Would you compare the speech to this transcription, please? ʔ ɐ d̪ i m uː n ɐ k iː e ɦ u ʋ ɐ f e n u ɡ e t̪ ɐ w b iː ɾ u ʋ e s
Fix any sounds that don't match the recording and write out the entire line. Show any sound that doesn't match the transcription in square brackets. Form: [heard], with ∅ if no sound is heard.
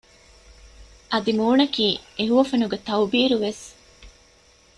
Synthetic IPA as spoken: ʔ ɐ d̪ i m uː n ɐ k iː e ɦ u ʋ ɐ f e n u ɡ e t̪ ɐ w b iː ɾ u ʋ e s